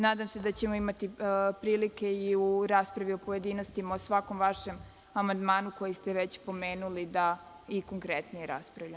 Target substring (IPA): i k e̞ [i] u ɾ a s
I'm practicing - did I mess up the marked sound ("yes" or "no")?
no